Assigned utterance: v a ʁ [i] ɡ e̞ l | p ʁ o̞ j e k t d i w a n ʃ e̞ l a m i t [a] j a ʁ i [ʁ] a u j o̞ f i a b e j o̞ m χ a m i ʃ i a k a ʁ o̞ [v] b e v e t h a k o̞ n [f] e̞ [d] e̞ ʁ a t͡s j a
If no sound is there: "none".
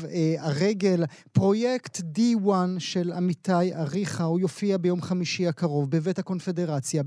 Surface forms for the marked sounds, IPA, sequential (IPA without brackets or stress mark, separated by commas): e, a, χ, v, f, d